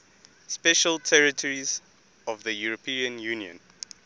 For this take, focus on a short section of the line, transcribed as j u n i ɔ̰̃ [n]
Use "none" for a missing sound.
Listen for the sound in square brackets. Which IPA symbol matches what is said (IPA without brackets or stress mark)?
n